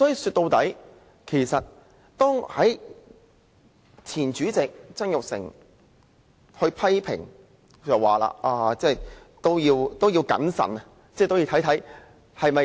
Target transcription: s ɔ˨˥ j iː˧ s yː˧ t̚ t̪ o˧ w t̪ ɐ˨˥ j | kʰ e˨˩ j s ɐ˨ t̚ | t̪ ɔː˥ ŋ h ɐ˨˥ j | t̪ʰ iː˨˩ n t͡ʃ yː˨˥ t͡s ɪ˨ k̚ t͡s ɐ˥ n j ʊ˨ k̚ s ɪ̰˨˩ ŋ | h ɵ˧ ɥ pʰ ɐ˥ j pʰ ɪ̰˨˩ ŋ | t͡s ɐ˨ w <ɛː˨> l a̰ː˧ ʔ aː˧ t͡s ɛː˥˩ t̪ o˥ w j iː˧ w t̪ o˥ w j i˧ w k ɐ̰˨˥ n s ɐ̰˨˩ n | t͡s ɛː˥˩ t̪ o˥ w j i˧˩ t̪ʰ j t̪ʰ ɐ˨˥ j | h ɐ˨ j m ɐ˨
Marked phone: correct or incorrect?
incorrect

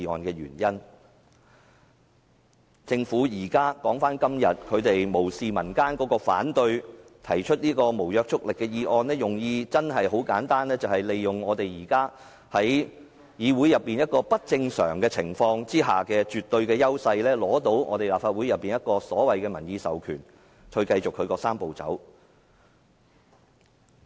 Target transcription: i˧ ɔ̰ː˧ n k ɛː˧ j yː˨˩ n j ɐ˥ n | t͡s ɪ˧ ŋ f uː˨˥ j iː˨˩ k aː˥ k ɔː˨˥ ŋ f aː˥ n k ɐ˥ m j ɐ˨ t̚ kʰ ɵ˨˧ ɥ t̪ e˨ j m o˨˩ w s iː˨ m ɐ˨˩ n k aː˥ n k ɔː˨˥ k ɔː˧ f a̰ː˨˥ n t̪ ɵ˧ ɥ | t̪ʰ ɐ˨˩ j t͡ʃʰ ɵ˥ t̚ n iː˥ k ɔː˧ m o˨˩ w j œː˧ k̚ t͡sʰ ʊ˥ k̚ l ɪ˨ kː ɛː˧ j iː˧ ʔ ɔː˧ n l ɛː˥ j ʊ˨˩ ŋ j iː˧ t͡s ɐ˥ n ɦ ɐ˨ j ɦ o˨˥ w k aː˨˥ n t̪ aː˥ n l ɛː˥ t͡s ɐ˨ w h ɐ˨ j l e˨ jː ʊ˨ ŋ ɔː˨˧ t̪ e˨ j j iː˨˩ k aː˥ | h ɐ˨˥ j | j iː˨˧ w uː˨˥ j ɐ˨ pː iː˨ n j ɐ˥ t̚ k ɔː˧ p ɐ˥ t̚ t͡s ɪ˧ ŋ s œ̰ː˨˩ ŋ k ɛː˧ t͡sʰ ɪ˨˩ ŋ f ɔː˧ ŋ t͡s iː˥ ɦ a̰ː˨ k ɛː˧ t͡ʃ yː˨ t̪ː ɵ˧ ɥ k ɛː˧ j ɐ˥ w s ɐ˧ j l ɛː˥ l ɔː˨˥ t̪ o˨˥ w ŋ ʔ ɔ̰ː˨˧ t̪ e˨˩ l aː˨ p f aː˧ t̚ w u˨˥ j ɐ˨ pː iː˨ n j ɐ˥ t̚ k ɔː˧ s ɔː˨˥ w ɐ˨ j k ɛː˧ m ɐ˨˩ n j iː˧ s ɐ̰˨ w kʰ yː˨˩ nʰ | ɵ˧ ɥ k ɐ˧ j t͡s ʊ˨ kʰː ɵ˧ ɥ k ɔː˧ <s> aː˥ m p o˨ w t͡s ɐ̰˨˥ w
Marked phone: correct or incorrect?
correct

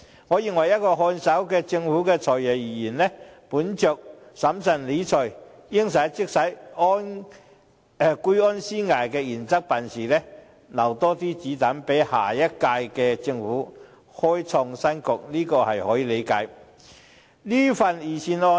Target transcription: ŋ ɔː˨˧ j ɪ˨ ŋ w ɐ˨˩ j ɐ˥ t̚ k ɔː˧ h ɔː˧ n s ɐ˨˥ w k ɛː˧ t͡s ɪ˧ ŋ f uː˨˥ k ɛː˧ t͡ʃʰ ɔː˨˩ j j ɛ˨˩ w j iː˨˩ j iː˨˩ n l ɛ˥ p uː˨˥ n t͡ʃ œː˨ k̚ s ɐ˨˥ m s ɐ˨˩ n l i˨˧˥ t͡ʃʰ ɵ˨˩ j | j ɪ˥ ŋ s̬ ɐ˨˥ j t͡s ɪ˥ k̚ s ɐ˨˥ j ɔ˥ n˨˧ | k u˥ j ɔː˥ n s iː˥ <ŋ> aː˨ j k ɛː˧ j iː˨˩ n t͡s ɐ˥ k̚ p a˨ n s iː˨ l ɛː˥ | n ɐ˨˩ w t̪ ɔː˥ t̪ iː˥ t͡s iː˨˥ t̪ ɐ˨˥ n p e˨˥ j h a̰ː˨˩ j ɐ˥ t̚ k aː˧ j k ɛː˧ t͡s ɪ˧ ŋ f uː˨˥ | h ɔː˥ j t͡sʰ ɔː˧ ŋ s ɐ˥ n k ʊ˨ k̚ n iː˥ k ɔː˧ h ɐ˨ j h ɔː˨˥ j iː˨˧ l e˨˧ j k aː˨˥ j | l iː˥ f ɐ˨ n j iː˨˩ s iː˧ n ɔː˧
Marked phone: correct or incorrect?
correct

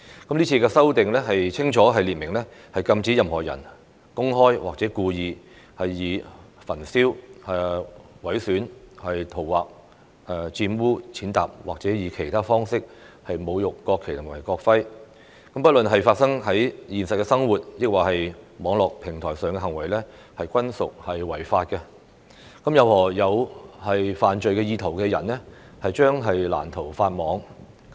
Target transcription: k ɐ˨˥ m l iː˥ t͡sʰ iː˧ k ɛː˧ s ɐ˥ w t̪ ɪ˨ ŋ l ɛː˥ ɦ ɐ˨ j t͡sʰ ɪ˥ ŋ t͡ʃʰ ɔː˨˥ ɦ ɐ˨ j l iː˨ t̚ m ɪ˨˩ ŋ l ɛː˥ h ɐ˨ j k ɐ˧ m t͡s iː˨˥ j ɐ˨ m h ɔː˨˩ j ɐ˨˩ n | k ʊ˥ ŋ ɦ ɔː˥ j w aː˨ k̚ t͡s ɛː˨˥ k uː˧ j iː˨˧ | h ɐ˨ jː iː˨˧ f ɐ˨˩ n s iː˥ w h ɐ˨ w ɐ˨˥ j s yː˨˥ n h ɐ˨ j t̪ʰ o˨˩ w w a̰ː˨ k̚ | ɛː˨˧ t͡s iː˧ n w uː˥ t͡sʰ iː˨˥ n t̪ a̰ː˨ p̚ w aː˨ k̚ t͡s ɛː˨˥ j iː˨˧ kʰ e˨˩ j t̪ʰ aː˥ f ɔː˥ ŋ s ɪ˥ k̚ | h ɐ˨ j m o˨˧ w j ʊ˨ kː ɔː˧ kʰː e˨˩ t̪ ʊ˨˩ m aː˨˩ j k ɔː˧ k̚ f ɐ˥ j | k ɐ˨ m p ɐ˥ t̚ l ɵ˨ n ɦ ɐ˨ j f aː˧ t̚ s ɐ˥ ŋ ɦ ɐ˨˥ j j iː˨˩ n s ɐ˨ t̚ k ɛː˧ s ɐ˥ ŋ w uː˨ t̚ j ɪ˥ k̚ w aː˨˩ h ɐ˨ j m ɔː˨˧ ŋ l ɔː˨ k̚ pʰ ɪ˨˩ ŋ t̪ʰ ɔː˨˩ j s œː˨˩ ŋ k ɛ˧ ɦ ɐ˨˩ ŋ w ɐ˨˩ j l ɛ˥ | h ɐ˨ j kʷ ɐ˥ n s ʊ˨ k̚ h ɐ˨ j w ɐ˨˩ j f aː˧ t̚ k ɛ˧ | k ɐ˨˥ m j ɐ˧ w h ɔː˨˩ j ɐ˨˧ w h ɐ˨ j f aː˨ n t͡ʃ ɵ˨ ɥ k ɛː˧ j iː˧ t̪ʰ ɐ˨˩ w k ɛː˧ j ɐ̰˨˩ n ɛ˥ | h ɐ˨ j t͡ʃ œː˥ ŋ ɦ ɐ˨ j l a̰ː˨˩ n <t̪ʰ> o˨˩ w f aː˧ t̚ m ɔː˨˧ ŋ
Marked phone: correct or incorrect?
correct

